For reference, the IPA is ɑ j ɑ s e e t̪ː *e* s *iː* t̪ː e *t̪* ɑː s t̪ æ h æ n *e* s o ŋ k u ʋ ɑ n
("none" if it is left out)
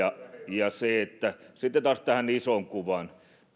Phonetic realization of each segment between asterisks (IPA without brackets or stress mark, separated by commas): æ, i, t̪, i